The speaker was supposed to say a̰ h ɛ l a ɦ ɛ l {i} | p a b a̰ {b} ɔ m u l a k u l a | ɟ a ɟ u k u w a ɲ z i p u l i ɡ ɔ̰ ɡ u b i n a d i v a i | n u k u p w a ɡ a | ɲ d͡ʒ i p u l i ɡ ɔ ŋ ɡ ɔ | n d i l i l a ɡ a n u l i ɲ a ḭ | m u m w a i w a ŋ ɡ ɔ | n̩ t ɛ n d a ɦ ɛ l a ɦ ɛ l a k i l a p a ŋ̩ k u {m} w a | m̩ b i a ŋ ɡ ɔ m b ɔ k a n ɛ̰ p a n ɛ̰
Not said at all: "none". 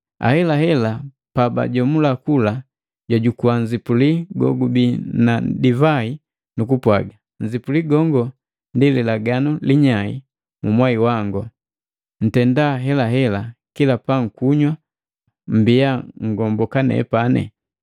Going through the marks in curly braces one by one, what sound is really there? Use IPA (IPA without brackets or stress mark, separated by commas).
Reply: a, ɟ, ɲ